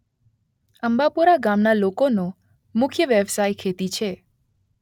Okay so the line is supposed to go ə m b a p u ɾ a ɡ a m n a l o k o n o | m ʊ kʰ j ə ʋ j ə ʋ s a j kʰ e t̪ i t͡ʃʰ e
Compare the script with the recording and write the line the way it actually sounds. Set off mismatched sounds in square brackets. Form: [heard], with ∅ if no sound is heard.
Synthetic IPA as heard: ə m b a p u ɾ a ɡ a m n a l o k o n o | m ʊ kʰ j ə ʋ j ə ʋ s a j kʰ e t̪ i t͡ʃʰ e